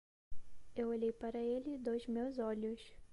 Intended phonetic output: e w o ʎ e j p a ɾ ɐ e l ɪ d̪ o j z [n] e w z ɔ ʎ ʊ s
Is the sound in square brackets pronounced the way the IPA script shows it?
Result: no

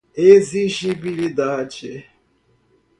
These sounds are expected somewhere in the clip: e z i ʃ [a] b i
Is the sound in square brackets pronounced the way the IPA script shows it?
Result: no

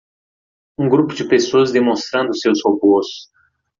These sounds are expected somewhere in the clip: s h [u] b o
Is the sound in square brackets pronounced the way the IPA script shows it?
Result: no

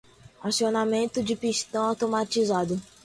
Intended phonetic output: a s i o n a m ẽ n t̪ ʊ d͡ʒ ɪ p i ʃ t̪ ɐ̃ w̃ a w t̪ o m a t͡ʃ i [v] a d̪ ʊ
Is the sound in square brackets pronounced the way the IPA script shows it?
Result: no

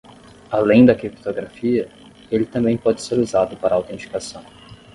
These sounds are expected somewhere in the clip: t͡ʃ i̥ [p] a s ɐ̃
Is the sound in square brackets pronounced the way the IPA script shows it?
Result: no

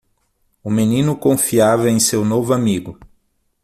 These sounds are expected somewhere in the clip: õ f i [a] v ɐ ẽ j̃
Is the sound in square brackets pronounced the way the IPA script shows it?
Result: yes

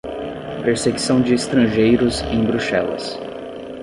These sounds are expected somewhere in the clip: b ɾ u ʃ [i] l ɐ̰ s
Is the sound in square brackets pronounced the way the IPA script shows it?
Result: no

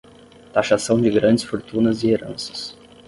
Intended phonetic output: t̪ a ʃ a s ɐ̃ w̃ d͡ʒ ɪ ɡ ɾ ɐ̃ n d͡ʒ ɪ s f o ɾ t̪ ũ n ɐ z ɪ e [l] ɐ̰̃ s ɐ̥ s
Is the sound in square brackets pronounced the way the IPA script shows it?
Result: no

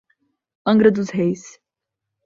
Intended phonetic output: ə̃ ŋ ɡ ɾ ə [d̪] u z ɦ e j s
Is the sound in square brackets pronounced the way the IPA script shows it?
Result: yes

